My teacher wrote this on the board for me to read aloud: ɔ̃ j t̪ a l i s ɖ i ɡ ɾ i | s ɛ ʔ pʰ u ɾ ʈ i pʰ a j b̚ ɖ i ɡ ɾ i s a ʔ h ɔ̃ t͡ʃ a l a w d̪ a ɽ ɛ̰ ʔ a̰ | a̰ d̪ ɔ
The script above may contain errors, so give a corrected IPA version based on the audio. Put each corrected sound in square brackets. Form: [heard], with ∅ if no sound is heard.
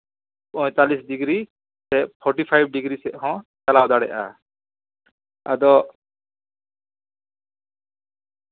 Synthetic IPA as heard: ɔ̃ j t̪ a l i s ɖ i ɡ ɾ i | s ɛ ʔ pʰ [ɔ] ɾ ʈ i pʰ a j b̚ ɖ i ɡ ɾ i s [ɛ] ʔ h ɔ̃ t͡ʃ a l a w d̪ a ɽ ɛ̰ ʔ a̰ | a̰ d̪ ɔ

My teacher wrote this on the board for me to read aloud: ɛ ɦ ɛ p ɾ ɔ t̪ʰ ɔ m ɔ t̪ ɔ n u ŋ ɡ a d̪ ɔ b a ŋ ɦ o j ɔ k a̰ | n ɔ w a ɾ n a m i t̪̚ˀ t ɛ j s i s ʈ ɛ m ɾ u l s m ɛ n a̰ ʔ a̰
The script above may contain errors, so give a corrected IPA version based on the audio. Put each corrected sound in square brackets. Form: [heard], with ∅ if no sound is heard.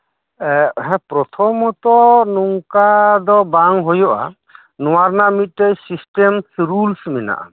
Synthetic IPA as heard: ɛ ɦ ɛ p ɾ ɔ t̪ʰ ɔ m ɔ t̪ ɔ n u ŋ [k] a d̪ ɔ b a ŋ ɦ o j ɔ [ʔ] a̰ | n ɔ w a ɾ n a m i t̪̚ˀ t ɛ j s i s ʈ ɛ m ɾ u l s m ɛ n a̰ ʔ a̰

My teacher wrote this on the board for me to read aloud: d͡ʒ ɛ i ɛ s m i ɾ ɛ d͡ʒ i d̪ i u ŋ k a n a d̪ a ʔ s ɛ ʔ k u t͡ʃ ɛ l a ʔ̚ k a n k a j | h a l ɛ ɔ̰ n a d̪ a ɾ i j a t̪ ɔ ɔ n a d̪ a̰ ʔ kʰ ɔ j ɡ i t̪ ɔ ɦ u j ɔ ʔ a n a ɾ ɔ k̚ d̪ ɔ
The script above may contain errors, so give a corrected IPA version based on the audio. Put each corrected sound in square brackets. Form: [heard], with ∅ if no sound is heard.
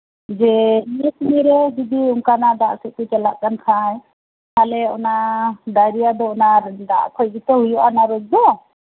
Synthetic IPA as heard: d͡ʒ ɛ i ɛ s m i ɾ ɛ d͡ʒ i d̪ i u ŋ k a n a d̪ a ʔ s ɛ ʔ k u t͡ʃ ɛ l a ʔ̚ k a n [kʰ] a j | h a l ɛ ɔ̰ n a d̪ a ɾ i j a [d̪] ɔ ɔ n a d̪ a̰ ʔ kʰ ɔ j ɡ i t̪ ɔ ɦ u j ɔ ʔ a n a ɾ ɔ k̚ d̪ ɔ

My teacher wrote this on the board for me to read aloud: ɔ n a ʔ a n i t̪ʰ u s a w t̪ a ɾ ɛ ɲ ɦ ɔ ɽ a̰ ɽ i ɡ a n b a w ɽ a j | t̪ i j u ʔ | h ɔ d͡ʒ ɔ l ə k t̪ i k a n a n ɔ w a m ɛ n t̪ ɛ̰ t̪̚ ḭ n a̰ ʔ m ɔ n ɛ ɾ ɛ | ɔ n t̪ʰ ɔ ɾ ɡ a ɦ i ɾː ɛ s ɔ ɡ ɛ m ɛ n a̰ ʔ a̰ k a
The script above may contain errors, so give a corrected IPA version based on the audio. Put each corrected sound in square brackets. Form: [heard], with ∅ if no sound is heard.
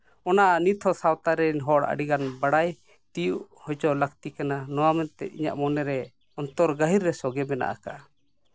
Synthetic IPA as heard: ɔ n a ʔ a n i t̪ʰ [ɔ] s a w t̪ a ɾ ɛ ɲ ɦ ɔ ɽ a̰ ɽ i ɡ a n b a [∅] ɽ a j | t̪ i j u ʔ | h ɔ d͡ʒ ɔ l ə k t̪ i k a n a n ɔ w a m ɛ n t̪ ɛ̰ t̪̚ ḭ [ɲ] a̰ ʔ m ɔ n ɛ ɾ ɛ | ɔ n [t̪] ɔ ɾ ɡ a ɦ i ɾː ɛ s ɔ ɡ ɛ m ɛ n a̰ ʔ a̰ k a

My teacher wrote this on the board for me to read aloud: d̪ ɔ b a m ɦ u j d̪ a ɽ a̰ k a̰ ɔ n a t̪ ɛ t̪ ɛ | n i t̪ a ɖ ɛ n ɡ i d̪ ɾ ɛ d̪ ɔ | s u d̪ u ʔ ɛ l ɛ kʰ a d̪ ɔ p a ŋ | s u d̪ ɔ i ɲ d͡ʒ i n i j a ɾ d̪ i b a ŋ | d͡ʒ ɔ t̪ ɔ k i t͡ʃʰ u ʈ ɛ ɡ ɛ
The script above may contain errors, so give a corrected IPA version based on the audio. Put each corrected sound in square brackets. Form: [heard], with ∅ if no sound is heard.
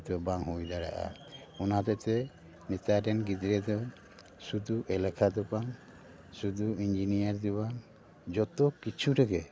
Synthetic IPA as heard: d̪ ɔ b a [ŋ] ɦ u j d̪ a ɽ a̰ [ʔ] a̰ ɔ n a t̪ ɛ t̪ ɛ | n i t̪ a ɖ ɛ n ɡ i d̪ ɾ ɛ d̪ ɔ | s u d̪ u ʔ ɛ l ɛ kʰ a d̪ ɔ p a ŋ | s u d̪ [u] i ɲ d͡ʒ i n i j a ɾ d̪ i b a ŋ | d͡ʒ ɔ t̪ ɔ k i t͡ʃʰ u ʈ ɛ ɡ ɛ

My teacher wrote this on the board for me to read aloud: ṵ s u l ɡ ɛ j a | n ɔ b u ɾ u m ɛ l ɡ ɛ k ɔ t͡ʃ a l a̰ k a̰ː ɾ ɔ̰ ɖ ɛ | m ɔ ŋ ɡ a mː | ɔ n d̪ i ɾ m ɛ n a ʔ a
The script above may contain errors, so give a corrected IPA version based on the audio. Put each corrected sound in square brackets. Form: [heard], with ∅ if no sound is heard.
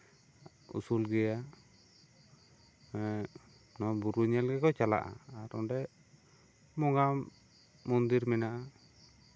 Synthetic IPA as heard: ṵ s u l ɡ ɛ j a | n ɔ b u ɾ u [ɲ] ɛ l ɡ ɛ k ɔ t͡ʃ a l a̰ [ʔ] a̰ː ɾ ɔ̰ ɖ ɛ | m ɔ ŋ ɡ a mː | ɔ n d̪ i ɾ m ɛ n a ʔ a

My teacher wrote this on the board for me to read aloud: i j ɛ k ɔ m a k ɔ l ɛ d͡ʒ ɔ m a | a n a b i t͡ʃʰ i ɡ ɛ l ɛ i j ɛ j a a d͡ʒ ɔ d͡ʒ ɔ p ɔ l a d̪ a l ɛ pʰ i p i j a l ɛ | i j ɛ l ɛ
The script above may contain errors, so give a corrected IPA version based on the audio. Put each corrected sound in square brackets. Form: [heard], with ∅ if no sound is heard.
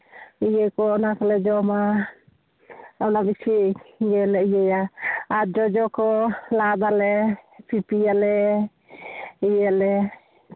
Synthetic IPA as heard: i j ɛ k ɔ [n] a k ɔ l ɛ d͡ʒ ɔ m a | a n a b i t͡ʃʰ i ɡ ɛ l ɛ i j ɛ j a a d͡ʒ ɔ d͡ʒ ɔ [k] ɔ l a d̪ a l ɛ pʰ i p i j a l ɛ | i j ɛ l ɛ

